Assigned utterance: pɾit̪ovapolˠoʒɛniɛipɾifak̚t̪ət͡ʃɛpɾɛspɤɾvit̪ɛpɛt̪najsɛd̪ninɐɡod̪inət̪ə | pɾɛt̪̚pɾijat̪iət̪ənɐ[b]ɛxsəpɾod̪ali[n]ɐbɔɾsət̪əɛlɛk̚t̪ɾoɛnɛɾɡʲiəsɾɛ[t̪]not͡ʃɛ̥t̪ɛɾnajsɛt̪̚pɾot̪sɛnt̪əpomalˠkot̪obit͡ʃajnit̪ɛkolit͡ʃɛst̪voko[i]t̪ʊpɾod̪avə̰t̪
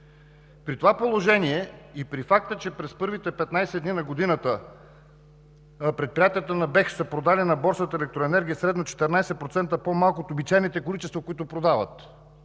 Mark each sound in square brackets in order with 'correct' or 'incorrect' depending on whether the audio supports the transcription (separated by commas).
correct, correct, incorrect, correct